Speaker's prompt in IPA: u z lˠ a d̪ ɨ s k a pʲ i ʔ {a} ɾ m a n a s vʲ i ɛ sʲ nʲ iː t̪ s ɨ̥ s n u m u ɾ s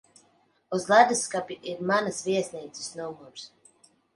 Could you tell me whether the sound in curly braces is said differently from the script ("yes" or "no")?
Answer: yes